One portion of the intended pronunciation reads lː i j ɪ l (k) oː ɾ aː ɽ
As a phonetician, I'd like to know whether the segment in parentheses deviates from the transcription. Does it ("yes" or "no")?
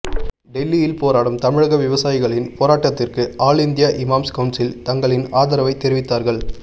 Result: yes